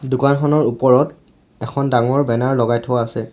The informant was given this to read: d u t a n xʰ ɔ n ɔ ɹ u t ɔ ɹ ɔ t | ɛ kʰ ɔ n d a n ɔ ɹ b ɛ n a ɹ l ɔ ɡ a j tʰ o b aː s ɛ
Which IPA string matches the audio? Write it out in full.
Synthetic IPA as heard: d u k a n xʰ ɔ n ɔ ɹ u p ɔ ɹ ɔ t | ɛ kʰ ɔ n d a ŋ ɔ ɹ b ɛ n a ɹ l ɔ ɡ a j tʰ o w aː s ɛ